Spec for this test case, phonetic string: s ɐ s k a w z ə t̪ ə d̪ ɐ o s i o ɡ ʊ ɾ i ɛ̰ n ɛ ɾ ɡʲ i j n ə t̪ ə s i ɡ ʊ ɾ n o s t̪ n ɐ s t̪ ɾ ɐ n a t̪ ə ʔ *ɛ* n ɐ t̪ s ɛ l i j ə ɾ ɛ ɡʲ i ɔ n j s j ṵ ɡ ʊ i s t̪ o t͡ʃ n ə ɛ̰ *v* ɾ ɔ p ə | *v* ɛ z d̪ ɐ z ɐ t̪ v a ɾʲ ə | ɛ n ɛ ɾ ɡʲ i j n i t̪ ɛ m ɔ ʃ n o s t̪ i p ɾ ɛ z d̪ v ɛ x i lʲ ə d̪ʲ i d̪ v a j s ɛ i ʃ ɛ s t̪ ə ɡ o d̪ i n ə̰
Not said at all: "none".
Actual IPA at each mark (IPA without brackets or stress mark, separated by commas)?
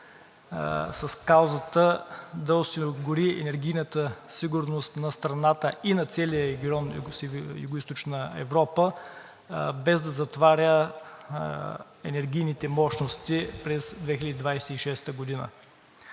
i, v, b